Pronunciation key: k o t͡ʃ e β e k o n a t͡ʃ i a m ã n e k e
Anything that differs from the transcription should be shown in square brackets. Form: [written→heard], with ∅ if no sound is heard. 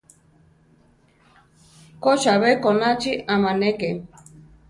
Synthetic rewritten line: k o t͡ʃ [e→a] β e k o n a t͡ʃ i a m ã n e k e